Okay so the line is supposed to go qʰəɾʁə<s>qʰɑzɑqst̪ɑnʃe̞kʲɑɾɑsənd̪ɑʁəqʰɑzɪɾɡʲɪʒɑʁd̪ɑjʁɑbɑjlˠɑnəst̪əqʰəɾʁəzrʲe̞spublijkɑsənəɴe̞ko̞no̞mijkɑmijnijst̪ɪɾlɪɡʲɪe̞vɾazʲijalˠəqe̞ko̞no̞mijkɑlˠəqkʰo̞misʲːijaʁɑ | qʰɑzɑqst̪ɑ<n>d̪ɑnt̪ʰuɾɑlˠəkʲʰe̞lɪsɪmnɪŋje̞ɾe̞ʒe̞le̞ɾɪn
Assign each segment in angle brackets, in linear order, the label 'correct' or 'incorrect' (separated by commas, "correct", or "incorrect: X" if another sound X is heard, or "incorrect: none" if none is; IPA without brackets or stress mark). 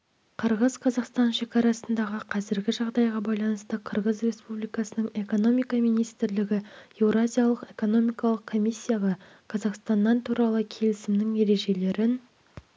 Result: incorrect: z, correct